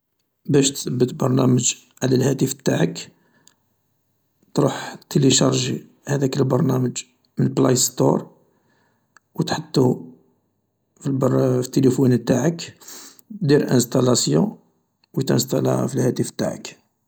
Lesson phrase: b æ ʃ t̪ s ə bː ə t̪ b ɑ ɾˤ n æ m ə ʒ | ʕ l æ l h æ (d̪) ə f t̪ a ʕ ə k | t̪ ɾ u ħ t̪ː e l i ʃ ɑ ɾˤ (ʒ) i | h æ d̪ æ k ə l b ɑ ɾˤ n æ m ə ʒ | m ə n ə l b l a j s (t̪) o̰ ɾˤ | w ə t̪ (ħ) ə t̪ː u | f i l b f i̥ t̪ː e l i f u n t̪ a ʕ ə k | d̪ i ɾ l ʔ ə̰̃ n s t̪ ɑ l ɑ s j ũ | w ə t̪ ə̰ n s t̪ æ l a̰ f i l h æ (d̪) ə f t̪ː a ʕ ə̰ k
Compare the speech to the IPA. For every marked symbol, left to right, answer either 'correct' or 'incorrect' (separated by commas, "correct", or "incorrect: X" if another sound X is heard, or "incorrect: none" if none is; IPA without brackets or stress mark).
incorrect: t̪, correct, correct, correct, incorrect: t̪